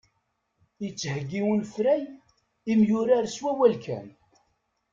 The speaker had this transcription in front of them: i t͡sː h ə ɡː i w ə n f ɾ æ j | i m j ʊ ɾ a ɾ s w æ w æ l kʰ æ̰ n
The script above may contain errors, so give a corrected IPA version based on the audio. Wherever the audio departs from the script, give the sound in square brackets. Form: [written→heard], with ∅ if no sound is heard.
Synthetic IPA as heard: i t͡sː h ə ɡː i w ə n f ɾ æ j | i m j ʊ ɾ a ɾ s w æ w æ l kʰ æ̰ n